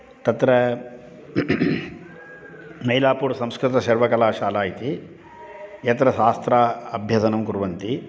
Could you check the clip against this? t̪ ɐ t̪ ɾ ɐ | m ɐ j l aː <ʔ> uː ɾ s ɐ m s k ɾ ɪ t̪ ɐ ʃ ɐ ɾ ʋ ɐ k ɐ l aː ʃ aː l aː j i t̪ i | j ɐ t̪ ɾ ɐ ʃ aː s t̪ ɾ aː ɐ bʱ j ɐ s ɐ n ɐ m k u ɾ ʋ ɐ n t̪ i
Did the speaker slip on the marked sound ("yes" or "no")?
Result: yes